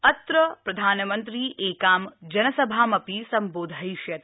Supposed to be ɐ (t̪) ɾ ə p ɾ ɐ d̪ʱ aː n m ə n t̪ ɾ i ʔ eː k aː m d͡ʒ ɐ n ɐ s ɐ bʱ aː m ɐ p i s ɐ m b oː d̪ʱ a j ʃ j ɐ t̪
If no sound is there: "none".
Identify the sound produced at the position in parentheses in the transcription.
t̪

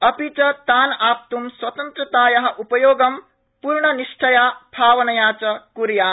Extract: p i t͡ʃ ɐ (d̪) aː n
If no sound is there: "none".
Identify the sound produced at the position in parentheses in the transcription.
t̪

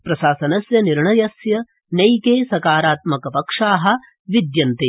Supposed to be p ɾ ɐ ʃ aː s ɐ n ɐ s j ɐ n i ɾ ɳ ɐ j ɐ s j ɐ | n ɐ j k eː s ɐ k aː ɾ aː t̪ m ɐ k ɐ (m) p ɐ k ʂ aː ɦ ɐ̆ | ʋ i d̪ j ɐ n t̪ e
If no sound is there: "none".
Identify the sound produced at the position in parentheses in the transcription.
none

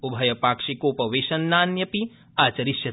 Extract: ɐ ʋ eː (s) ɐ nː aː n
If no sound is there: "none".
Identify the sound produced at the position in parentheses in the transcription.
ʃ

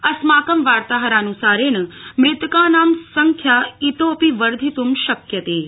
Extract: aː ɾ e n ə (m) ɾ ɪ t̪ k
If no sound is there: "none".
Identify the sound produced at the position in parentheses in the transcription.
m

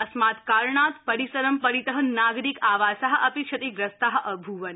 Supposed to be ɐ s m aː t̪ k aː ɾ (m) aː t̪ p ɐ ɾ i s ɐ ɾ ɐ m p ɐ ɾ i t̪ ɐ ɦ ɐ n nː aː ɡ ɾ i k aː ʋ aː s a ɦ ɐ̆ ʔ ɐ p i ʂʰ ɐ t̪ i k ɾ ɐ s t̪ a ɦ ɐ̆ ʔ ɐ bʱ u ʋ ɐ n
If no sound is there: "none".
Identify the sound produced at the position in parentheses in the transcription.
ɳ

